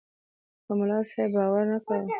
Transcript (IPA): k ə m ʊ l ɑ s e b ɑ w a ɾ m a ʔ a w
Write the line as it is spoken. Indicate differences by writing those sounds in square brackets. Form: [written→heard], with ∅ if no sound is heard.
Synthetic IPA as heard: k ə m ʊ l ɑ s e b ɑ w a ɾ [m→n] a [ʔ→k] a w